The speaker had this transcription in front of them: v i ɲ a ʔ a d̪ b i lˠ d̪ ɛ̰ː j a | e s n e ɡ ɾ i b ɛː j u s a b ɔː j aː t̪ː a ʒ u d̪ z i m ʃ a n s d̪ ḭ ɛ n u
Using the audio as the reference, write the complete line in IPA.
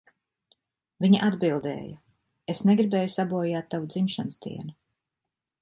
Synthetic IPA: v i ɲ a ʔ a d̪ b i lˠ d̪ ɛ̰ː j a | e s n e ɡ ɾ i b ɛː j u s a b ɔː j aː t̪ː a v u d̪ z i m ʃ a n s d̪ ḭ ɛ n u